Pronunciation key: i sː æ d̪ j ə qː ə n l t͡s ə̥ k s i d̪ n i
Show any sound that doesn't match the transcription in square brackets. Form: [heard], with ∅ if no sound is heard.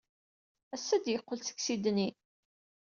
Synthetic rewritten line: [æ] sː æ d̪ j ə qː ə [∅] l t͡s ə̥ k s i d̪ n i

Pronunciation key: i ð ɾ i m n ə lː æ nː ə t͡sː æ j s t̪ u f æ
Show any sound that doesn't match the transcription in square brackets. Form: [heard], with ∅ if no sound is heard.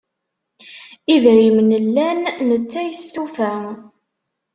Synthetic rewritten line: i ð ɾ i m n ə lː æ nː ə t͡sː æ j s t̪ u f æ

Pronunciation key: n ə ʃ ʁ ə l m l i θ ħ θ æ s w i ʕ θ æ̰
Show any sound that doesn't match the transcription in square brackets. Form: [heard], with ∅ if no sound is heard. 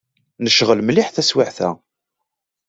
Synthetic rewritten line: n ə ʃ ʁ ə l m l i [∅] ħ θ æ s w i ʕ θ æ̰

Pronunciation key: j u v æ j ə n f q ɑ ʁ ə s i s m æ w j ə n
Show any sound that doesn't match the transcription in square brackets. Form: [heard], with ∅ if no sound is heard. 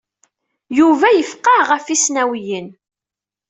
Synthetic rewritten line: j u v æ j ə [∅] f q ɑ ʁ ə [f] i s [n] æ w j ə n

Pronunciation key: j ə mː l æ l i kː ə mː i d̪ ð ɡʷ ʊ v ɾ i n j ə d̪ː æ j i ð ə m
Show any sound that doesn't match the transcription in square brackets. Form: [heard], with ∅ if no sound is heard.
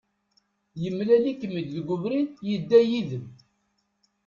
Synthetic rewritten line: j ə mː l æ l i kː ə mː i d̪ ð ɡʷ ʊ v ɾ i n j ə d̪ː æ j i ð ə m

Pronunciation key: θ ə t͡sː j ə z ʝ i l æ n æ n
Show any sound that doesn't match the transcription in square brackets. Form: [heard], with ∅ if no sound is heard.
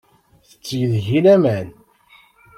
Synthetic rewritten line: θ ə t͡sː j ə [ð] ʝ i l æ [m] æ n

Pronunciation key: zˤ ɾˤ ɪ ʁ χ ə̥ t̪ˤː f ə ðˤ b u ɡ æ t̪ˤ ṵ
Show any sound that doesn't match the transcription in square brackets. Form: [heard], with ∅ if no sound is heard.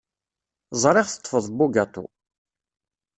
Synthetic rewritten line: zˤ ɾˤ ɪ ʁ [θ] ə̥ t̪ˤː f ə ðˤ b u ɡ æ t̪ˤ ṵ

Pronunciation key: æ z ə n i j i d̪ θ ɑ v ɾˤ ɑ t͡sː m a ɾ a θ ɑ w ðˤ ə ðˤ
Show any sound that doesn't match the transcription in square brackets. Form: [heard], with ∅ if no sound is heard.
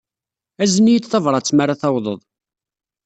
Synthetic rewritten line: æ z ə n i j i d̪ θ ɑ v ɾˤ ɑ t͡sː m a ɾ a θ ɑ w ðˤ ə ðˤ

